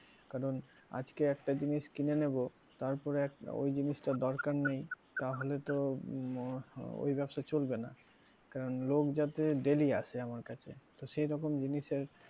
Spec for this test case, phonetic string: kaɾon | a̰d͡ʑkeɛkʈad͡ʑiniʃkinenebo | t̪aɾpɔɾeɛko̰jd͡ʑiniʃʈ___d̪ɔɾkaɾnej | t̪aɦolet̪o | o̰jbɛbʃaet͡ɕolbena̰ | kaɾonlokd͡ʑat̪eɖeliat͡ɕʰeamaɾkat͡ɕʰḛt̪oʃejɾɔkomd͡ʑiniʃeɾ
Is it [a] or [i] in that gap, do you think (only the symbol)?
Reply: a